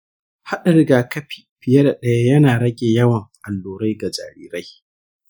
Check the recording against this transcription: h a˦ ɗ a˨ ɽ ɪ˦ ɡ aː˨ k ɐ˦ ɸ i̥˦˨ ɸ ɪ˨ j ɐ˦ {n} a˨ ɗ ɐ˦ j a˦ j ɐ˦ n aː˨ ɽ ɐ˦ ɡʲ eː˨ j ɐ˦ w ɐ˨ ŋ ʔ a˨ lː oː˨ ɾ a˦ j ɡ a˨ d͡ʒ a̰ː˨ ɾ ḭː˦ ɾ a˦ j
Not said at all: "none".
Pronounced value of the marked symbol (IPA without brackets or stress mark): d